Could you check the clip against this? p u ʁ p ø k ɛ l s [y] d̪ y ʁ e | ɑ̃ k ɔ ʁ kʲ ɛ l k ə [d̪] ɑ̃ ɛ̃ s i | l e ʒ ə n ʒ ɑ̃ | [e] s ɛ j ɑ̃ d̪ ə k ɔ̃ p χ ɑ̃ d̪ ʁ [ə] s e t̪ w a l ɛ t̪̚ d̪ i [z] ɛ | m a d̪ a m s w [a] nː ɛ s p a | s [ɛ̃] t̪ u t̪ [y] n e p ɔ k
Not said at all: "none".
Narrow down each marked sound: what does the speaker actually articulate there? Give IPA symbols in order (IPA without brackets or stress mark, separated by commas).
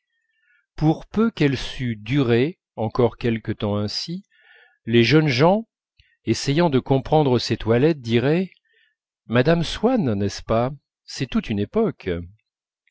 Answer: y, t̪, e, ə, ʁ, a, ɛ, y